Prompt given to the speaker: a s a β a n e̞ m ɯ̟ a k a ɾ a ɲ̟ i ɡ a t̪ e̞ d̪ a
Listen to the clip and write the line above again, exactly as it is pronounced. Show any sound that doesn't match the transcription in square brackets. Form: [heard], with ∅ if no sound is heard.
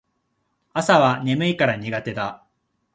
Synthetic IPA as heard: a s a β a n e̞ m ɯ̟ [i] k a ɾ a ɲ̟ i ɡ a t̪ e̞ d̪ a